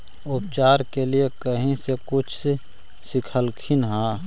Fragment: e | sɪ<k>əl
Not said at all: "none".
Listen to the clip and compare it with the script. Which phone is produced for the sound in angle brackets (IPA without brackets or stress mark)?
kʰ